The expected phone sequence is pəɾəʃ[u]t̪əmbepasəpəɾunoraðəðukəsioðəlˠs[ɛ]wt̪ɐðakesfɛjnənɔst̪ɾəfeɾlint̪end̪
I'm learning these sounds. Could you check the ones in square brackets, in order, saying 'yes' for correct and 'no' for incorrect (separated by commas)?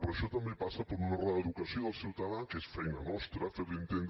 no, no